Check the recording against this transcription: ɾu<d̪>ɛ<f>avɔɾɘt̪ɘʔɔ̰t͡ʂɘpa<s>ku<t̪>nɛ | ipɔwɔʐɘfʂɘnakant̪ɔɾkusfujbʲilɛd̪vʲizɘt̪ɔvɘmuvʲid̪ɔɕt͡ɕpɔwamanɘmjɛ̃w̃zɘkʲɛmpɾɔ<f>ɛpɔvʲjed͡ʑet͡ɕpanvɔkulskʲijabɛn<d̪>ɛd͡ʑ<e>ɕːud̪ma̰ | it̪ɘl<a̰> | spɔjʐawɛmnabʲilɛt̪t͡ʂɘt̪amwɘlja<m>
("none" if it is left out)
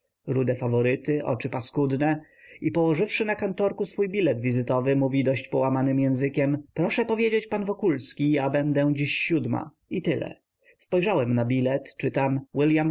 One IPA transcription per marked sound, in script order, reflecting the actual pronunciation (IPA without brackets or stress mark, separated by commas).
d̪, f, s, d̪, ʂ, d̪, i, ɛ̰, m